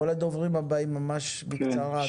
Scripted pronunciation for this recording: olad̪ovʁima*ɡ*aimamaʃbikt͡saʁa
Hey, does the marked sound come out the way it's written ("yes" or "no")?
no